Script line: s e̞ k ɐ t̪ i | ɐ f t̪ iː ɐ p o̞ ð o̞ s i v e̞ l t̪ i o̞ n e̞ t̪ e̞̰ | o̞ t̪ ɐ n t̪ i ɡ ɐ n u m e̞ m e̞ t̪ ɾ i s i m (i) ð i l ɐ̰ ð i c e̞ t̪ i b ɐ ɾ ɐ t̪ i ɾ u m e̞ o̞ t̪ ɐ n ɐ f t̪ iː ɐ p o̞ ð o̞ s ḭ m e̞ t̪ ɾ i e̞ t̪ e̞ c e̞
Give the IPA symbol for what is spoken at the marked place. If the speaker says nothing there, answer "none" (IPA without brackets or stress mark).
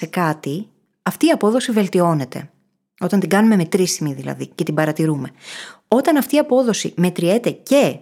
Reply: i